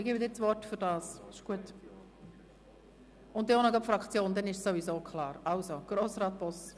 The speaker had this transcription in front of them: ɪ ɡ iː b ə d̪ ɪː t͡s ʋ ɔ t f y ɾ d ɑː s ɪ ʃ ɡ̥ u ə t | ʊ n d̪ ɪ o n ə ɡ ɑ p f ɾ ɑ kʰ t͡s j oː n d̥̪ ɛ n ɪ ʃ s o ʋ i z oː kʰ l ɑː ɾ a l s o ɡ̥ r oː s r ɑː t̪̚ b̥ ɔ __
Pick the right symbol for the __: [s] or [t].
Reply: s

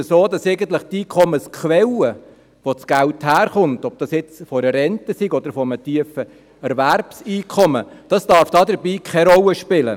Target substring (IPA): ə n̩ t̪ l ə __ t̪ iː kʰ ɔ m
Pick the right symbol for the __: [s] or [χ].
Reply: χ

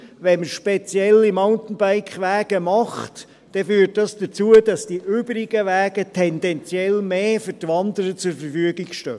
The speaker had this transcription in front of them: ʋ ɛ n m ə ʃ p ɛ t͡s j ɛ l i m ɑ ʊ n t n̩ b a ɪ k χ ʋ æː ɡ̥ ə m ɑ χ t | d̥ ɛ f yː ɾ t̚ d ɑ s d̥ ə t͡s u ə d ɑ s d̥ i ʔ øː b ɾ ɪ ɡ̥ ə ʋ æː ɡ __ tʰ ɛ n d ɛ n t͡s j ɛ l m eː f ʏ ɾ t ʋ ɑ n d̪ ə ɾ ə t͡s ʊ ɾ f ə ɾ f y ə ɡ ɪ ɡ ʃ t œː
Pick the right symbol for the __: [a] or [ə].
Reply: ə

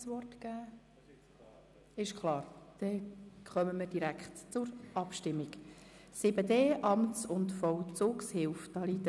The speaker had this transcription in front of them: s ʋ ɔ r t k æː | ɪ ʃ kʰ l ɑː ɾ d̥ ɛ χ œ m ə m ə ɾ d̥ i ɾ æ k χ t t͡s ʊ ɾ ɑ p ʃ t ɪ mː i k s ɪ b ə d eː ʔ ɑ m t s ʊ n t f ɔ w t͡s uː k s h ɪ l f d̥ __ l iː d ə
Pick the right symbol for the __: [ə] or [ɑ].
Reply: ɑ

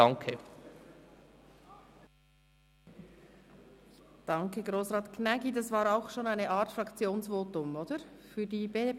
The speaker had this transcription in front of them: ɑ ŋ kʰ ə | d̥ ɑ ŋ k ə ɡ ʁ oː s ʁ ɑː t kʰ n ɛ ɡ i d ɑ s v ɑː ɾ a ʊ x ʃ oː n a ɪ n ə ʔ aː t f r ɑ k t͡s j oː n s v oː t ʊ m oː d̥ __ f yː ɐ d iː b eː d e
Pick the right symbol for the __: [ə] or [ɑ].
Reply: ə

